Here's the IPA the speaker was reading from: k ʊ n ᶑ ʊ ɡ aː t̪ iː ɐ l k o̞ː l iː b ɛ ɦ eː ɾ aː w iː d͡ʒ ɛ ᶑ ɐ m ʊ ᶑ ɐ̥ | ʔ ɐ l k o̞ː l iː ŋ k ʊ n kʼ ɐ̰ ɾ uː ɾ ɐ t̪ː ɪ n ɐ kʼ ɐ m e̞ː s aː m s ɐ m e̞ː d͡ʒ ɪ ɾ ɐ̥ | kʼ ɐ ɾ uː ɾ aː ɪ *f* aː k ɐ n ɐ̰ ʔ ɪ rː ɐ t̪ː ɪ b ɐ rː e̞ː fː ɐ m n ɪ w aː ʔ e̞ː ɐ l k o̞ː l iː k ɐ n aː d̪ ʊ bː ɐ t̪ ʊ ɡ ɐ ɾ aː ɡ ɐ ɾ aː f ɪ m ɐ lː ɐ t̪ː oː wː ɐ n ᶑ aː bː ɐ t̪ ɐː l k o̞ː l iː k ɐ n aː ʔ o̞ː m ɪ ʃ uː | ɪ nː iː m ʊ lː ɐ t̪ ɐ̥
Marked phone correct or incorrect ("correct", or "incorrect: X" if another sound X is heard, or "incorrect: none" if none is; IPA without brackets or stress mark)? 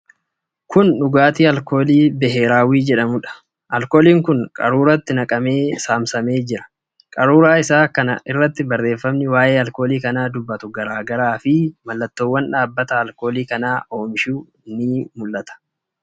incorrect: s